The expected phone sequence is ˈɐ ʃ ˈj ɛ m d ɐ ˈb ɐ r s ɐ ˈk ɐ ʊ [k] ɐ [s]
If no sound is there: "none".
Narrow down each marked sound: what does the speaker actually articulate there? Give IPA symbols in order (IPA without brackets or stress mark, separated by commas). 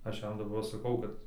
k, t